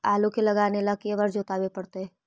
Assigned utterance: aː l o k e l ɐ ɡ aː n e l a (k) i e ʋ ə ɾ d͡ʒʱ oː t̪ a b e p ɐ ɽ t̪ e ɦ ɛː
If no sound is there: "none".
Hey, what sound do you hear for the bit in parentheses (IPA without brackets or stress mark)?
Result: k